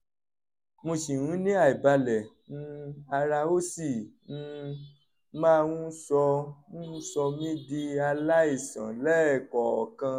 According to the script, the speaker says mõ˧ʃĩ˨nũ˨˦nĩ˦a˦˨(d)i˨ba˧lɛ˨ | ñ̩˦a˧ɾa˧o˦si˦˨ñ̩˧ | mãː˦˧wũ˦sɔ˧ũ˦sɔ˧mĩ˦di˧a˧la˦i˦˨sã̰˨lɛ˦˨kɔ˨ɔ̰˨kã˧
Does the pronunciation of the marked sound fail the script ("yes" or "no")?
yes